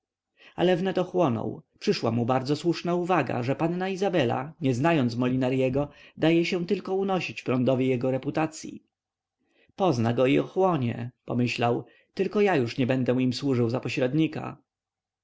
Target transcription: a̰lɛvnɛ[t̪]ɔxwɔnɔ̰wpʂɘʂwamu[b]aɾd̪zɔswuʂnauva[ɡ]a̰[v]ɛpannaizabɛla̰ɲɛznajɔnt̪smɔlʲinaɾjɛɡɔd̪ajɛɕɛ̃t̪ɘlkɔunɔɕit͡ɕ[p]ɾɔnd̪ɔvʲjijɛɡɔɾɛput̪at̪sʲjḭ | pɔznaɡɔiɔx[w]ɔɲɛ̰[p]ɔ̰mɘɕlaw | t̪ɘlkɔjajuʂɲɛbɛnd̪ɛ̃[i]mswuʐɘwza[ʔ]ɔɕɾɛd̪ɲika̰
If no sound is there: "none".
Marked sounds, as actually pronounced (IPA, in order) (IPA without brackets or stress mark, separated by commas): t̪, b, ɡ, ʐ, p, w, p, i, p